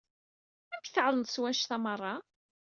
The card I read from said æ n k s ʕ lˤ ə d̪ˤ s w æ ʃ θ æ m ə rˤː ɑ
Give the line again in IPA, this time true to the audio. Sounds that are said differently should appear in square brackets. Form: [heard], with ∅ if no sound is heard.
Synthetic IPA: æ [m] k [θ] ʕ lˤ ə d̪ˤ s w æ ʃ θ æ m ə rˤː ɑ